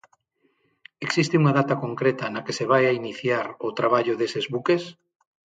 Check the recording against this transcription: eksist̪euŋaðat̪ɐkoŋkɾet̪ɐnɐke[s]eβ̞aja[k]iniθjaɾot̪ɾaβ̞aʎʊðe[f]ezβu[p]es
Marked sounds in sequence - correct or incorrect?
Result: correct, incorrect: none, incorrect: s, incorrect: k

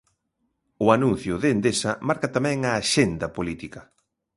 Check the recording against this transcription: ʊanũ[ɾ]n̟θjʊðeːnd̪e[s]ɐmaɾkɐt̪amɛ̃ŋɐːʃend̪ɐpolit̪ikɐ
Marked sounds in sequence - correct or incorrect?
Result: incorrect: none, correct

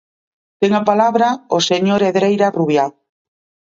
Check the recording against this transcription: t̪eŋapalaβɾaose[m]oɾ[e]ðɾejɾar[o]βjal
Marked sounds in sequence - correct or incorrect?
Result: incorrect: ɲ, correct, incorrect: u

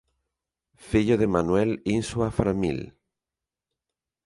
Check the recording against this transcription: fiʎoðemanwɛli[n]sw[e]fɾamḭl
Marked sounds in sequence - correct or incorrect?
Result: correct, incorrect: a

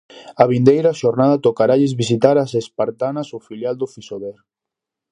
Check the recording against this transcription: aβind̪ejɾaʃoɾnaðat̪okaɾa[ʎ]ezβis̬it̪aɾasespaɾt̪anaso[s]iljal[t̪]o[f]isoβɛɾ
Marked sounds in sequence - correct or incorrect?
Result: correct, incorrect: f, incorrect: d̪, correct

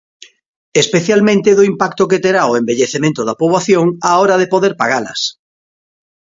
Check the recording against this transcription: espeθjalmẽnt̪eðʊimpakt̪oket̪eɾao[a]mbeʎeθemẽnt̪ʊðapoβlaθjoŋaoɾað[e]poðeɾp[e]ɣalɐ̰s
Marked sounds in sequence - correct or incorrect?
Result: incorrect: e, correct, incorrect: a

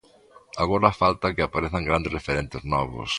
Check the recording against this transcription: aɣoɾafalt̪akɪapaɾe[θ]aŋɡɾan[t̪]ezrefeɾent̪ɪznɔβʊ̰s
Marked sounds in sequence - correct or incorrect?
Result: correct, incorrect: d̪

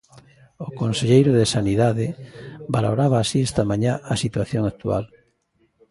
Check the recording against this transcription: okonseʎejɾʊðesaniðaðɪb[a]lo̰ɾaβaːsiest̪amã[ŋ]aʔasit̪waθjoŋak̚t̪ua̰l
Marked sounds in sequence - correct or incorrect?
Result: correct, incorrect: ɲ

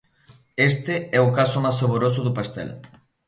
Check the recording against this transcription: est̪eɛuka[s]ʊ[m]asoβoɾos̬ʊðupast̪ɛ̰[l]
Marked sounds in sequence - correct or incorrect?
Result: correct, correct, correct

